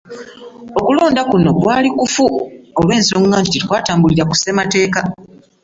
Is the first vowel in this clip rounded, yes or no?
yes